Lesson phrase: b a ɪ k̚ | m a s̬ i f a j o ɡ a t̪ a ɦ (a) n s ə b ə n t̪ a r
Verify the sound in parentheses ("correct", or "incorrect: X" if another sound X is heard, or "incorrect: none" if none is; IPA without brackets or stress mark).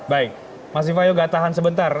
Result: correct